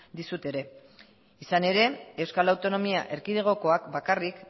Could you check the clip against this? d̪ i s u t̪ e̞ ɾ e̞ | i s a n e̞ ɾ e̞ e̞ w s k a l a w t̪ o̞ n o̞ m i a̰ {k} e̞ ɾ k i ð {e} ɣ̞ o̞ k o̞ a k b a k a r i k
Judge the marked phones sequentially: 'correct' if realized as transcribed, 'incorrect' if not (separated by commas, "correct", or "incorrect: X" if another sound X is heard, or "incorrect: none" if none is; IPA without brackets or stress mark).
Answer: incorrect: ʔ, correct